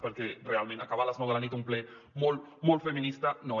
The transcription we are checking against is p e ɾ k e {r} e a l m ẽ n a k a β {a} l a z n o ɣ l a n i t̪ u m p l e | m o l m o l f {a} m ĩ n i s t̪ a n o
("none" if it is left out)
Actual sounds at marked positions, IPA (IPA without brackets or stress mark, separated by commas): r, a, e